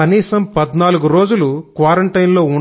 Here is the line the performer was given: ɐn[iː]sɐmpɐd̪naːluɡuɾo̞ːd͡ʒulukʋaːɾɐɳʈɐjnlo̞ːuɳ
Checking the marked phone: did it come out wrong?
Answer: no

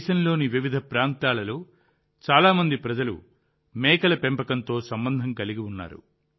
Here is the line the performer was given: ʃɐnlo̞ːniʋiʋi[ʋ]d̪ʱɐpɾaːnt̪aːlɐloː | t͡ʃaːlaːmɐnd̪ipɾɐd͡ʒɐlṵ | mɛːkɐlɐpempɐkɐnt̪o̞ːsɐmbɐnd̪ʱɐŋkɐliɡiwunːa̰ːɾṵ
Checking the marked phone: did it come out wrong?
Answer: yes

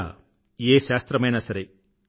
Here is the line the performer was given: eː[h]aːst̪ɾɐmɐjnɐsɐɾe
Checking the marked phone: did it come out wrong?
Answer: yes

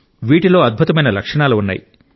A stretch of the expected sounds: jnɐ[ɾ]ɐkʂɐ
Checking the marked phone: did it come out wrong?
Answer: yes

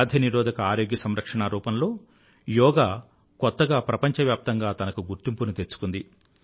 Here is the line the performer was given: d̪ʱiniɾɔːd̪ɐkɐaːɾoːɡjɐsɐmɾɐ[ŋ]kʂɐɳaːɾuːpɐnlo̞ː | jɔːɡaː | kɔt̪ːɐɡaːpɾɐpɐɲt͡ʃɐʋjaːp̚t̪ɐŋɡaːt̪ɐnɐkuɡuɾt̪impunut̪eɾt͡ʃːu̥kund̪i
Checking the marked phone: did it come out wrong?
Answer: yes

